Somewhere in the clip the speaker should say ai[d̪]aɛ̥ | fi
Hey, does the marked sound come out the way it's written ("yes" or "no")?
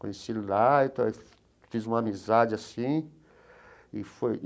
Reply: no